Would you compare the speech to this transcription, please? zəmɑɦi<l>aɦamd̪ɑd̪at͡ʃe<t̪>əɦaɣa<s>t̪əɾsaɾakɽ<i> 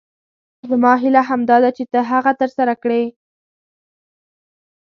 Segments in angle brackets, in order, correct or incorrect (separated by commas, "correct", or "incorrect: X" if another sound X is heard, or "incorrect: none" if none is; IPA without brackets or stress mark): correct, correct, incorrect: none, incorrect: e